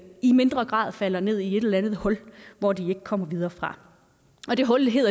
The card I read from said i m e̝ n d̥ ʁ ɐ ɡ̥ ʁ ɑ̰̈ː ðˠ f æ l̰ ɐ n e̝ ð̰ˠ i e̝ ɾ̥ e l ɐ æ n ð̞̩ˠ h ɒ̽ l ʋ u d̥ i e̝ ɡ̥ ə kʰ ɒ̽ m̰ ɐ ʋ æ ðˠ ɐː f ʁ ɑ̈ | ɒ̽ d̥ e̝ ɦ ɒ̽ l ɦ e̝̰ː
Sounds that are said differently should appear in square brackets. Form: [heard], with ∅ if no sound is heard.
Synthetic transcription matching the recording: i m e̝ n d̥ ʁ ɐ ɡ̥ ʁ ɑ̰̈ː ðˠ f æ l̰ ɐ n e̝ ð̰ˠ i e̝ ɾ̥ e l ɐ æ n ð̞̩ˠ h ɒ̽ l ʋ [ɒ] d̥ i e̝ ɡ̥ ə kʰ ɒ̽ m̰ ɐ ʋ [i] ðˠ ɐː f ʁ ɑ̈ | ɒ̽ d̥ e̝ ɦ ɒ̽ l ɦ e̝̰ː